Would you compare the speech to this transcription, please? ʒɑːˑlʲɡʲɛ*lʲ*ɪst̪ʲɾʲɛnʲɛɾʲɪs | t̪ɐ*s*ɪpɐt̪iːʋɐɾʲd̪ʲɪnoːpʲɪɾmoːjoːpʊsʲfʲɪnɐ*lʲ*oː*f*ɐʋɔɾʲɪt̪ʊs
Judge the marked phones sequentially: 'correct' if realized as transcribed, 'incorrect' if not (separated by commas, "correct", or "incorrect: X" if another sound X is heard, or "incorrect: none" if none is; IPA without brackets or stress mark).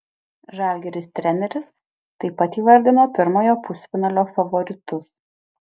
incorrect: ɾʲ, incorrect: none, correct, correct